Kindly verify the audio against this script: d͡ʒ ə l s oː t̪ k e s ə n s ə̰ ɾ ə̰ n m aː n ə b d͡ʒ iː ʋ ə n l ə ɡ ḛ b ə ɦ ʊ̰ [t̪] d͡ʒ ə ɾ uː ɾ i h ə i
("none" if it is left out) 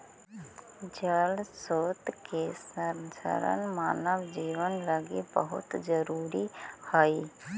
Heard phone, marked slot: t̪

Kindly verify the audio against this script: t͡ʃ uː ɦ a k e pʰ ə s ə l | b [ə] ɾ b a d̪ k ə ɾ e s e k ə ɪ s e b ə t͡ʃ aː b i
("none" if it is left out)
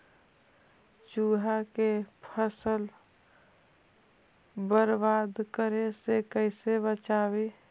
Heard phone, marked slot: ə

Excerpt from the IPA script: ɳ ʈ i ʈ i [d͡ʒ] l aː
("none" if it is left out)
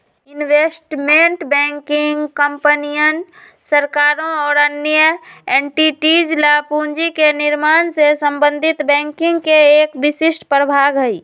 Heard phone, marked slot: d͡ʒ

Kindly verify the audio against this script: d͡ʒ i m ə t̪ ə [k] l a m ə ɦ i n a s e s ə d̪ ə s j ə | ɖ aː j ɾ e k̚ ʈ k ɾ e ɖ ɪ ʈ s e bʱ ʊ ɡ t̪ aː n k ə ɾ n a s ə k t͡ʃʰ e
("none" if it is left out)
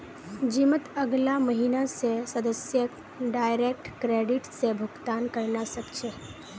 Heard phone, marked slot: ɡ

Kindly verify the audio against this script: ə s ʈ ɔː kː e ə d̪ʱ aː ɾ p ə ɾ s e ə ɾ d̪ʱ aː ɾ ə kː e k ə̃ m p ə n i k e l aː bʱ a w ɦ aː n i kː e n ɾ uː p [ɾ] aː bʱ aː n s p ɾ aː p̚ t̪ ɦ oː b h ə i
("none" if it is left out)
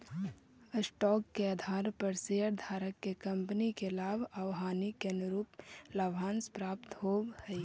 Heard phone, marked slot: l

